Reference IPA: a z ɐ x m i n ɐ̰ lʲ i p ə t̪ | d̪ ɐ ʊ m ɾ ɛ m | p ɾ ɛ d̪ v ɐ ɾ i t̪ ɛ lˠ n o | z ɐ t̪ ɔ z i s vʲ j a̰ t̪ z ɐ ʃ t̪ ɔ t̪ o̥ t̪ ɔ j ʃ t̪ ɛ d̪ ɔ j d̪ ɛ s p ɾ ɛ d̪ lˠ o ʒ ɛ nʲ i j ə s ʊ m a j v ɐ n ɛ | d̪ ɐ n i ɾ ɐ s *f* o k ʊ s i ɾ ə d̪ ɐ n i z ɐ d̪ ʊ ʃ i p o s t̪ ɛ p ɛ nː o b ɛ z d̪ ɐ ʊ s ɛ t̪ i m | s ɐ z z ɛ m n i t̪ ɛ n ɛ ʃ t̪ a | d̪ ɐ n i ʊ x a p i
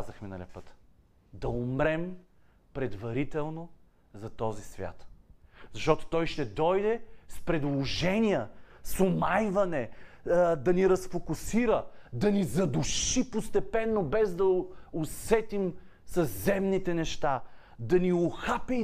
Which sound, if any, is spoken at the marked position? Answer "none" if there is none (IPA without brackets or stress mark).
f